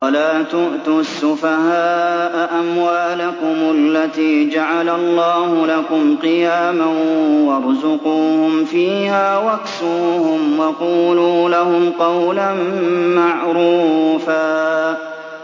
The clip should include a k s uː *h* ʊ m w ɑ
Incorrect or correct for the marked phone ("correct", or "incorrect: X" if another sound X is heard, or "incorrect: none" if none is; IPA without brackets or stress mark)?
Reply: correct